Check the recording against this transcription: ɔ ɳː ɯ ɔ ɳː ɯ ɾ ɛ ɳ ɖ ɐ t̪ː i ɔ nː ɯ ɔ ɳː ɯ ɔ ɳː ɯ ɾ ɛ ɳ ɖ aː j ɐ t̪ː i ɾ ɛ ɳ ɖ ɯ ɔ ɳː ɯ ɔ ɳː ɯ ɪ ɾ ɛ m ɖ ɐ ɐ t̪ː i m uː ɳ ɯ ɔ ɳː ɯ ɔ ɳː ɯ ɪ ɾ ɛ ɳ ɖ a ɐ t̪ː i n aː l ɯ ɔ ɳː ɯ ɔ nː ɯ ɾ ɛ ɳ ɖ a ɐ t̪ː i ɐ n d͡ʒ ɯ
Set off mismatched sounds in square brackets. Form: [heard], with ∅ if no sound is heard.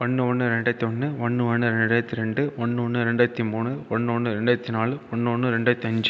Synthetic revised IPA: ɔ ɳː ɯ ɔ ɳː ɯ ɾ ɛ ɳ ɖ ɐ t̪ː i ɔ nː ɯ ɔ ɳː ɯ ɔ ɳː ɯ ɾ ɛ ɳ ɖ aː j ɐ t̪ː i ɾ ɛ ɳ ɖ ɯ ɔ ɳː ɯ ɔ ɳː ɯ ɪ ɾ ɛ [ɳ] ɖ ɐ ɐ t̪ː i m uː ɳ ɯ ɔ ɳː ɯ ɔ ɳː ɯ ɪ ɾ ɛ ɳ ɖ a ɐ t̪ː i n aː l ɯ ɔ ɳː ɯ ɔ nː ɯ ɾ ɛ ɳ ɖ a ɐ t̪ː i ɐ [ɲ] d͡ʒ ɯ